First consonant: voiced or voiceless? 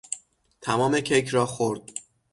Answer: voiceless